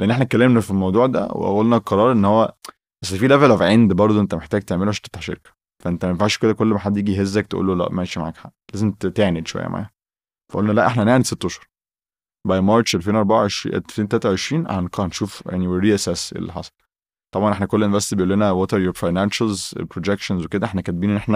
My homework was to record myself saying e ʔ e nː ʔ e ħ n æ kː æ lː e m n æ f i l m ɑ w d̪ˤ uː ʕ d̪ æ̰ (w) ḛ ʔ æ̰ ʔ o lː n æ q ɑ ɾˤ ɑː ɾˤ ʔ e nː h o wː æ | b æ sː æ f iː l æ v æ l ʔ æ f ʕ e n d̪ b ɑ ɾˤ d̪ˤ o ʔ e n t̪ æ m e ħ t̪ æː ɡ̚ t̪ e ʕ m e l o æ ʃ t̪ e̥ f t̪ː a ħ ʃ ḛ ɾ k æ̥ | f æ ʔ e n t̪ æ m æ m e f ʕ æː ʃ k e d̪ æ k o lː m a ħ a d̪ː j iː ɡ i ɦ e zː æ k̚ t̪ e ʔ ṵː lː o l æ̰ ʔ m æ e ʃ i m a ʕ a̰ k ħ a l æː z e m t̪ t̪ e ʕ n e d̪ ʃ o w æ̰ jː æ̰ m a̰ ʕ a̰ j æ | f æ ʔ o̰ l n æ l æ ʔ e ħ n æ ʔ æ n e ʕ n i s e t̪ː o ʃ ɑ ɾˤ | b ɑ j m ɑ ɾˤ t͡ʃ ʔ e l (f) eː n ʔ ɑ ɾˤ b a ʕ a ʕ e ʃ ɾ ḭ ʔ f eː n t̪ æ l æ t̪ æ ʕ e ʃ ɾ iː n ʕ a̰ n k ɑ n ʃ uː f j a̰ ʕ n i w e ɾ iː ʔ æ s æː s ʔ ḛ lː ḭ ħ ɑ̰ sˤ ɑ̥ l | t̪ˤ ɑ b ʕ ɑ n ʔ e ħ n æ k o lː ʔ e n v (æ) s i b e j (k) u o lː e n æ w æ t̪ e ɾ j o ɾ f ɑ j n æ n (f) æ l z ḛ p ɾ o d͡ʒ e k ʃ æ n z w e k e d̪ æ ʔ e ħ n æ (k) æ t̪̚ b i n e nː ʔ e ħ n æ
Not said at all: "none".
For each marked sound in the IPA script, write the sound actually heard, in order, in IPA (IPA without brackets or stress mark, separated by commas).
w, f, æ, ʔ, ʃ, k